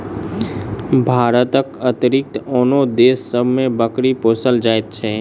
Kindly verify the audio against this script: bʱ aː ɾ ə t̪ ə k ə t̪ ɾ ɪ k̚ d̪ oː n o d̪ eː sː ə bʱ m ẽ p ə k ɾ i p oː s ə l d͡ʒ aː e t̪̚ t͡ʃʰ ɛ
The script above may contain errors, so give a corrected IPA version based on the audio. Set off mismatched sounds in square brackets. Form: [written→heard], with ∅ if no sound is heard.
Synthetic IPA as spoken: bʱ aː ɾ ə t̪ ə k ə t̪ ɾ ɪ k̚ [d̪→t̪] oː n o d̪ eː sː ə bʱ m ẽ [p→b] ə k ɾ i p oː s ə l d͡ʒ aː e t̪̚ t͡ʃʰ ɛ